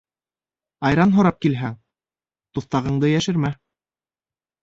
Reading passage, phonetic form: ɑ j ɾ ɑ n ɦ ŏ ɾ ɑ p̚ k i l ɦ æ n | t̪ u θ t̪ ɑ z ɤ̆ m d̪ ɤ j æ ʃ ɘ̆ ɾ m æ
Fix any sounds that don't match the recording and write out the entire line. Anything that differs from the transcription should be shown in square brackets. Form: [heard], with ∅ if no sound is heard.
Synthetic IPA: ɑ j ɾ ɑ n ɦ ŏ ɾ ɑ p̚ k i l ɦ æ [ŋ] | t̪ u θ t̪ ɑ [ʁ] ɤ̆ [ɴ] d̪ ɤ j æ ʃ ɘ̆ ɾ m æ